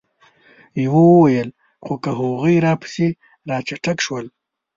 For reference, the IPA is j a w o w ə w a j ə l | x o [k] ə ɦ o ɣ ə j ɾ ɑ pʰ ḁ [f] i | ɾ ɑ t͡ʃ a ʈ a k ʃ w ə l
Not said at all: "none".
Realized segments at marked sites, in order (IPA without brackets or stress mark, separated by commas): k, s